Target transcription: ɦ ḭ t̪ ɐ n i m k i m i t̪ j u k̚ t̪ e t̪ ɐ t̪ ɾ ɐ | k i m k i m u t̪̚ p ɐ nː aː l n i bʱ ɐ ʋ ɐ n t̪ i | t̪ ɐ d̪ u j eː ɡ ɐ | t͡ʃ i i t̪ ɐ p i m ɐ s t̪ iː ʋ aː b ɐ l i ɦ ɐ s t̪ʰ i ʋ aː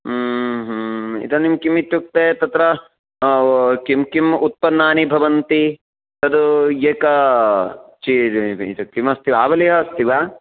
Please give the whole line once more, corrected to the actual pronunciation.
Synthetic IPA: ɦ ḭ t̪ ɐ n i m k i m i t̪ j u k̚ t̪ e t̪ ɐ t̪ ɾ ɐ | k i m k i m u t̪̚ p ɐ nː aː n i bʱ ɐ ʋ ɐ n t̪ i | t̪ ɐ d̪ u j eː k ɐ | t͡ʃ i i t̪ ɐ k i m ɐ s t̪ i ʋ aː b ɐ l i ɦ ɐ s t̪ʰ i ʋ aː

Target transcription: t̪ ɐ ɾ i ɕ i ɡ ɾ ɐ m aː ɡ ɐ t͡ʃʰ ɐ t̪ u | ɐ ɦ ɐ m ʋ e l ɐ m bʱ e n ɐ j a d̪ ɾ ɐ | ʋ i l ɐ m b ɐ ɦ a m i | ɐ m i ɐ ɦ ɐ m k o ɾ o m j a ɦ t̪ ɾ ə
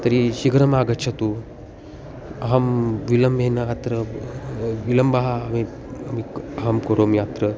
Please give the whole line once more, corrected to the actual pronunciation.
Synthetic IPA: t̪ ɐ ɾ i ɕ i ɡ ɾ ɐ m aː ɡ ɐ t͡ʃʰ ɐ t̪ u | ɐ ɦ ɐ m ʋ i l ɐ m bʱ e n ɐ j a t̪ ɾ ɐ | ʋ i l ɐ m b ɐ ɦ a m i | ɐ m i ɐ ɦ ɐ m k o ɾ o m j a t̪ ɾ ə

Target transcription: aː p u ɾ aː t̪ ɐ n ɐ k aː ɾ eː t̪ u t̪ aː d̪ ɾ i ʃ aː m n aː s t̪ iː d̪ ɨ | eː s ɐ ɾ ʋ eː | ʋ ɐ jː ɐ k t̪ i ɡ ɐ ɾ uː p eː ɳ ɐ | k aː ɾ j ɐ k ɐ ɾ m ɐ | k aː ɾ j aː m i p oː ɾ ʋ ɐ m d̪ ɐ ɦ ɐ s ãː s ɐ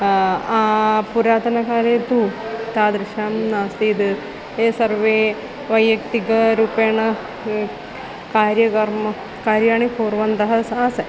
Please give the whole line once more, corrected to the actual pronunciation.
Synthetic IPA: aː p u ɾ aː t̪ ɐ n ɐ k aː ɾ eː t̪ u t̪ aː d̪ ɾ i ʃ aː m n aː s t̪ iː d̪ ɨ | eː s ɐ ɾ ʋ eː | ʋ ɐ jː ɐ k t̪ i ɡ ɐ ɾ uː p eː ɳ ɐ | k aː ɾ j ɐ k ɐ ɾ m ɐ | k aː ɾ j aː ɳ i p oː ɾ ʋ ɐ n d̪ ɐ ɦ ɐ s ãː s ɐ

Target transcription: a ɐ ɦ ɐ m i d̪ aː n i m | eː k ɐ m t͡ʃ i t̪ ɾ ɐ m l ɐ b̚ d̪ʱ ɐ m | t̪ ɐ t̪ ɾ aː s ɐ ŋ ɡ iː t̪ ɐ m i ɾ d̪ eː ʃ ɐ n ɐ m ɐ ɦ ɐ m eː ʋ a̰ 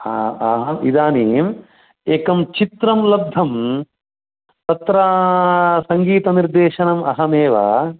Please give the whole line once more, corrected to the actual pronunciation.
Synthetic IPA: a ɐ ɦ ɐ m i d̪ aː n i m | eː k ɐ m t͡ʃ i t̪ ɾ ɐ m l ɐ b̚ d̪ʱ ɐ m | t̪ ɐ t̪ ɾ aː s ɐ ŋ ɡ iː t̪ ɐ n i ɾ d̪ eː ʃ ɐ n ɐ m ɐ ɦ ɐ m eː ʋ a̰

